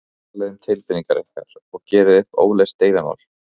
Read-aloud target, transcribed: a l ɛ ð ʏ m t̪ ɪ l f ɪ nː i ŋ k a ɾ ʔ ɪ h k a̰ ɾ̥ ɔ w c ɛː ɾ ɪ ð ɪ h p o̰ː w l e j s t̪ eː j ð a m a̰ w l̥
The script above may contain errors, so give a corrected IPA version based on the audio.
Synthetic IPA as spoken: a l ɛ ð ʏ m t̪ʰ ɪ l f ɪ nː i ŋ k a ɾ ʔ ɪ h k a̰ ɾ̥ ɔ ɣ c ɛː ɾ ɪ ð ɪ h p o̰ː w l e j s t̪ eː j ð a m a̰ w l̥